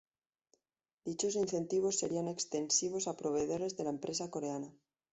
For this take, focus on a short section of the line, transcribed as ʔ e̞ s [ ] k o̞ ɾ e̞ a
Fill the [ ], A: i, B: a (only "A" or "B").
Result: B